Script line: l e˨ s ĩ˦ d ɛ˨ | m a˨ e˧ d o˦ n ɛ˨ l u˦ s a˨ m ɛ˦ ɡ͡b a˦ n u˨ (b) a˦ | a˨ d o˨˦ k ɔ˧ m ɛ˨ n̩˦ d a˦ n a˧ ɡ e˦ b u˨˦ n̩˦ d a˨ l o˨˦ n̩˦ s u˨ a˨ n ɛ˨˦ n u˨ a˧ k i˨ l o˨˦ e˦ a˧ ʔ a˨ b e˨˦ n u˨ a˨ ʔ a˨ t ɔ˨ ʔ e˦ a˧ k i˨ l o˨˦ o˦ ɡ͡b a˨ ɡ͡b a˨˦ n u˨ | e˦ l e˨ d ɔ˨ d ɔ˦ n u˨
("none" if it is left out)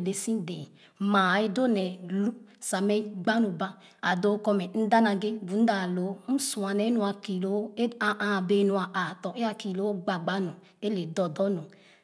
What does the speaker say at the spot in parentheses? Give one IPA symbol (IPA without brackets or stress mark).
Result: b